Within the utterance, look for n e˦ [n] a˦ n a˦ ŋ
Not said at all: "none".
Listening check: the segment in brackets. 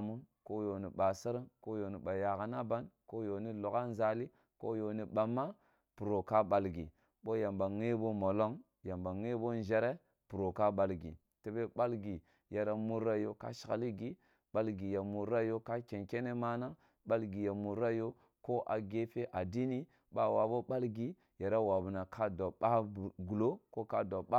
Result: m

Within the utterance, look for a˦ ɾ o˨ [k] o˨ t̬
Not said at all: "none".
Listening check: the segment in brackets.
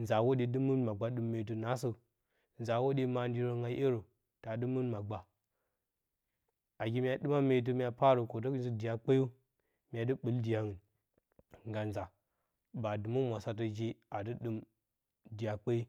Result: k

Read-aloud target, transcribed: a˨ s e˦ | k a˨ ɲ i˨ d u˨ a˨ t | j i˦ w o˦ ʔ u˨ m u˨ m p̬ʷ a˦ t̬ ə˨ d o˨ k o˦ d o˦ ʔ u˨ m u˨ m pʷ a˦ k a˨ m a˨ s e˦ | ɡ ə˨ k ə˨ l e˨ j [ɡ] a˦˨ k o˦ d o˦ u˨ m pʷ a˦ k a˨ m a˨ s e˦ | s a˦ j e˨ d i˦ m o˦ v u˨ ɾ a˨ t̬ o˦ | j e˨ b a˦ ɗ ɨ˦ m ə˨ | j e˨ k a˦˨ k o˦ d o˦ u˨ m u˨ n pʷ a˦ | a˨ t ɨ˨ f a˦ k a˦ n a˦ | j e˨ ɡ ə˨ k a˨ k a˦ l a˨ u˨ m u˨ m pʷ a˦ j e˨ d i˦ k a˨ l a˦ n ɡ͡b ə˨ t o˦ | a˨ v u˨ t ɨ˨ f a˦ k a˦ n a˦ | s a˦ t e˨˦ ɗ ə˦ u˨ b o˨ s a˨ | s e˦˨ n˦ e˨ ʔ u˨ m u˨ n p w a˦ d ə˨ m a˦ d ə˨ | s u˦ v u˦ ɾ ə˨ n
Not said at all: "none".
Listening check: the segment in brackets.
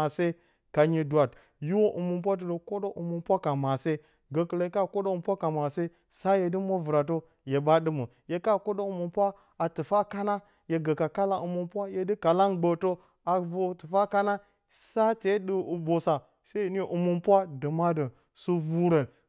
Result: k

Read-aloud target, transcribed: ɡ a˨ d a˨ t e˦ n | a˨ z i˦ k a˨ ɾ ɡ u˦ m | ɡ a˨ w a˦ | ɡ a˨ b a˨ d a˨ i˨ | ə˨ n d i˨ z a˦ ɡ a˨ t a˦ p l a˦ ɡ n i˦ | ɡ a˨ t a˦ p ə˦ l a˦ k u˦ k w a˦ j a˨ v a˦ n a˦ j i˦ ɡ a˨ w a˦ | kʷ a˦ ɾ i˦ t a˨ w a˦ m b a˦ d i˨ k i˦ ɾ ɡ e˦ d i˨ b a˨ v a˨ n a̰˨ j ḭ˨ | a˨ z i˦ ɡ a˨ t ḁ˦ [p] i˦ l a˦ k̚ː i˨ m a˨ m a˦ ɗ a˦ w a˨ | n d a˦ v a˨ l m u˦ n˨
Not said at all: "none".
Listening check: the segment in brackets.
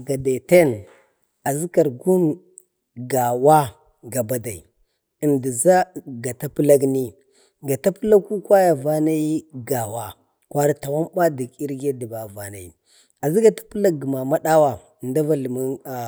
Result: p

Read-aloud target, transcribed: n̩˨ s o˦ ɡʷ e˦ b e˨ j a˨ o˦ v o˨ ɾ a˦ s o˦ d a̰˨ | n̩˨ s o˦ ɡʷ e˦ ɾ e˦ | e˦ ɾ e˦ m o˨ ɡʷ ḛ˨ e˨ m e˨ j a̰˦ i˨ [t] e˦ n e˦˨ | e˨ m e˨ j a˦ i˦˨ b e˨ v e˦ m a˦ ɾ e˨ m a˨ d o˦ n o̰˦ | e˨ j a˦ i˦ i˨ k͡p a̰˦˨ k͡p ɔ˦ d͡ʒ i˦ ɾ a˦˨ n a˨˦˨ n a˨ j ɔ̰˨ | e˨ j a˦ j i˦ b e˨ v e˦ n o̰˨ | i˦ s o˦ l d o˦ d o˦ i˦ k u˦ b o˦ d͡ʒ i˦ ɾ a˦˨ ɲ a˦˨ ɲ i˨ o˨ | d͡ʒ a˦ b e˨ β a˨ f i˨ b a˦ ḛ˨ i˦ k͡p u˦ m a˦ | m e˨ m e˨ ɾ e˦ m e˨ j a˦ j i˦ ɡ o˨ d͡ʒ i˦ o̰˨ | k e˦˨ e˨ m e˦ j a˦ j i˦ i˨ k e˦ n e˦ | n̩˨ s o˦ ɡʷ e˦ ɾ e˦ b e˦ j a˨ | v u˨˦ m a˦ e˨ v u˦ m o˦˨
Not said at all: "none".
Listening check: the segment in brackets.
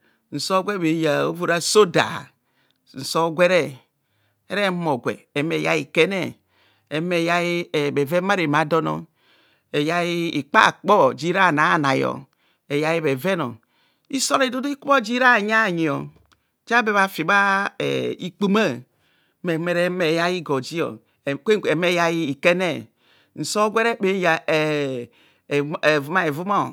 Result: k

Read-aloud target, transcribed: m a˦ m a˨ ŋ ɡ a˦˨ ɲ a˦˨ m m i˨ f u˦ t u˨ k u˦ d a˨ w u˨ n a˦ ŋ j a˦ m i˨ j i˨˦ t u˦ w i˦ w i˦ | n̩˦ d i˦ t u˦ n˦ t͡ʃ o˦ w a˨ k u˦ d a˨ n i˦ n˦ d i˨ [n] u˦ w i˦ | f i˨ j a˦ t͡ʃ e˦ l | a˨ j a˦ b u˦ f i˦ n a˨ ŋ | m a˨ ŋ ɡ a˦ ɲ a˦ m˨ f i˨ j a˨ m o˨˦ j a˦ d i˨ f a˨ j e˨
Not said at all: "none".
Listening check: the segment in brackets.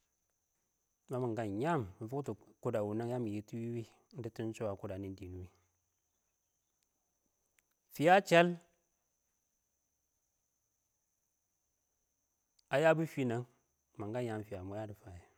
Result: n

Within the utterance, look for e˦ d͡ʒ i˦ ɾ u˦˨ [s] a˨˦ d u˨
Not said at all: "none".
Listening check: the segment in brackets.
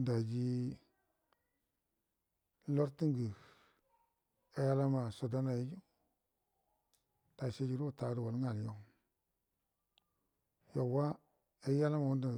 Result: t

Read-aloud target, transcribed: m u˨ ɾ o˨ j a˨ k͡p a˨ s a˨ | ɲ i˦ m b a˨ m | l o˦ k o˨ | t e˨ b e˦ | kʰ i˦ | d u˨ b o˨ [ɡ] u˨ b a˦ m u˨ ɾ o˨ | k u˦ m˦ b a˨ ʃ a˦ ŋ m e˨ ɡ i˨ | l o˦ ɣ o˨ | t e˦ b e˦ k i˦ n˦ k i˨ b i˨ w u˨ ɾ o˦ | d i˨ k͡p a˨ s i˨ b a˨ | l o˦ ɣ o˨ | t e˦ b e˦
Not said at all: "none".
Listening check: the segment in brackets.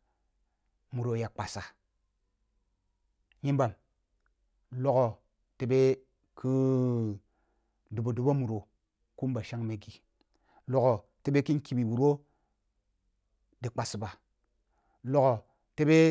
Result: d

